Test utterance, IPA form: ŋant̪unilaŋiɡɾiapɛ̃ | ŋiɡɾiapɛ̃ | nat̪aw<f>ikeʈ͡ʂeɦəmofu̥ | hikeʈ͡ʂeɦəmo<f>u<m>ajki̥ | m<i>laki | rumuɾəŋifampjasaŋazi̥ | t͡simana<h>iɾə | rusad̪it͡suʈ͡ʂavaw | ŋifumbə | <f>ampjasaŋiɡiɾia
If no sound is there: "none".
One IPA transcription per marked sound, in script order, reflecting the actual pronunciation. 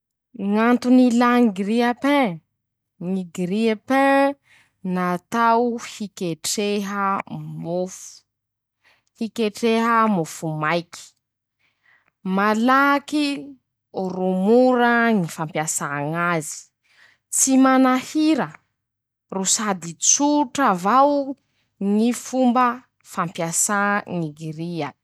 h, f, m, a, h, f

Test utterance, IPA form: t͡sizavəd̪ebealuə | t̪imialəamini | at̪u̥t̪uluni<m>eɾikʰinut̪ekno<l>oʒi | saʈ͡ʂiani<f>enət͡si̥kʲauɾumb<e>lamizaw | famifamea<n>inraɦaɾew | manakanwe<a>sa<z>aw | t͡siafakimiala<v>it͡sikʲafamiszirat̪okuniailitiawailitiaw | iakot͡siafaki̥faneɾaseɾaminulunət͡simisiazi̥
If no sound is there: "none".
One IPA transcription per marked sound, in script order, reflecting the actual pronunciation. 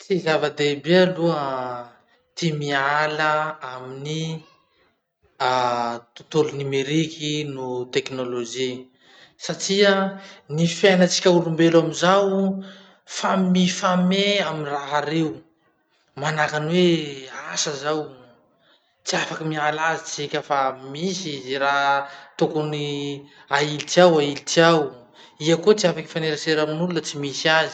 m, l, f, e, m, a, z, z

